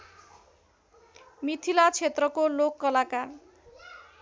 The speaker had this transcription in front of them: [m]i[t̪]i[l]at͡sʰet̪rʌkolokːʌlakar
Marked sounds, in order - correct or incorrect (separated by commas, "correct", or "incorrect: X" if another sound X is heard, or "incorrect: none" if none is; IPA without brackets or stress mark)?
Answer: correct, incorrect: t̪ʰ, correct